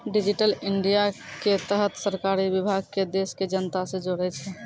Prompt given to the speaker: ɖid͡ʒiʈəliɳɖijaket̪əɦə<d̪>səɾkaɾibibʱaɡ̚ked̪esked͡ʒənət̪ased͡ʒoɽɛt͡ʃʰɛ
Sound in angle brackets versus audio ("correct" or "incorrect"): incorrect